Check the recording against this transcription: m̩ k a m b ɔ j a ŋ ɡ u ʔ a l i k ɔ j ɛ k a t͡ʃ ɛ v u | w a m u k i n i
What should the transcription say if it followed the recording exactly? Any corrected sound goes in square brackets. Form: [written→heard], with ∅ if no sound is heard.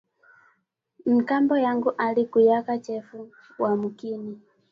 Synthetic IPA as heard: m̩ k a m b ɔ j a ŋ ɡ u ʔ a l i k [ɔ→u] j [ɛ→a] k a t͡ʃ ɛ [v→f] u | w a m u k i n i